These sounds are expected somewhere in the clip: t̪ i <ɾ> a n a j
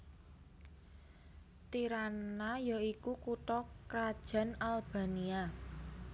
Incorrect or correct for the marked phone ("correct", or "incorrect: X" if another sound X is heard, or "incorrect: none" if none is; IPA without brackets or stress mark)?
correct